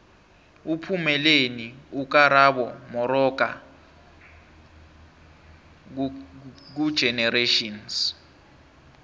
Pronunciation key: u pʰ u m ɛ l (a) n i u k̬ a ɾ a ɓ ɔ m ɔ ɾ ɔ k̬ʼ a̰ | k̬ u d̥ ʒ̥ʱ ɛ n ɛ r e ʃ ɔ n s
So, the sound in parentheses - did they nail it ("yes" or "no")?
no